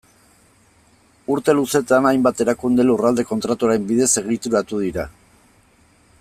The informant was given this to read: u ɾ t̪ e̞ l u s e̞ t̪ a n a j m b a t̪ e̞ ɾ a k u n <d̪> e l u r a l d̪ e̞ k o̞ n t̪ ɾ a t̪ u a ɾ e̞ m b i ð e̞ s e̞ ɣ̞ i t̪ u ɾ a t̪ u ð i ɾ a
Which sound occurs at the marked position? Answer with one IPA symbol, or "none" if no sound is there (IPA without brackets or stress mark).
d̪